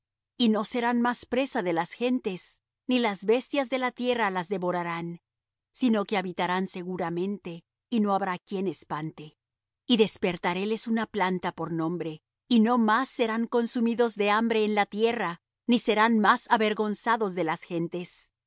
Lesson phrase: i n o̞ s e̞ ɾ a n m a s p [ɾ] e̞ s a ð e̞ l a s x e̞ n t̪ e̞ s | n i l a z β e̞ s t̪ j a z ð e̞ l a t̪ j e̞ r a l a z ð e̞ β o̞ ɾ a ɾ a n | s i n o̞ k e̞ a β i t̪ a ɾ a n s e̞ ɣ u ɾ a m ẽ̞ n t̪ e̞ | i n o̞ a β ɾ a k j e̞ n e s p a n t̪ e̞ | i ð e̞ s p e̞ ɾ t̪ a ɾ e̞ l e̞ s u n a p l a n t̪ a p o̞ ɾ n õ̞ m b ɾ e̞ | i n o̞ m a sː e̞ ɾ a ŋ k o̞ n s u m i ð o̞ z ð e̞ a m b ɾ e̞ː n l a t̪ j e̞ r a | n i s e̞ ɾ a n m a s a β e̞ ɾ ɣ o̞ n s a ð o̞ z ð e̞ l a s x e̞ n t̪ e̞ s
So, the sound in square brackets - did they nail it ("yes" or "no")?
yes